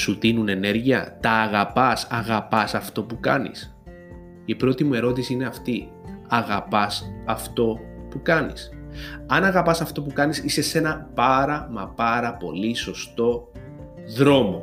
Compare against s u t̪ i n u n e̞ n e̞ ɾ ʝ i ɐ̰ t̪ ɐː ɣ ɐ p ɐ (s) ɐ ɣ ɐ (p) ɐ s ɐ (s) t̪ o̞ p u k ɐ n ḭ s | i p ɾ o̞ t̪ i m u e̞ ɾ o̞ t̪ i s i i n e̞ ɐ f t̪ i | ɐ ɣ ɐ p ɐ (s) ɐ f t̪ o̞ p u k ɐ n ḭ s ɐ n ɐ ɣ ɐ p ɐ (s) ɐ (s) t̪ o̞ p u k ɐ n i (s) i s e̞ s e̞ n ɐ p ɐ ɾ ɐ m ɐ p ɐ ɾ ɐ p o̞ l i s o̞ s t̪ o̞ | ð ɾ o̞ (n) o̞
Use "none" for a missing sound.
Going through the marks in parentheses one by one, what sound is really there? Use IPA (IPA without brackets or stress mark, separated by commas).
s, p, f, s, s, f, s, m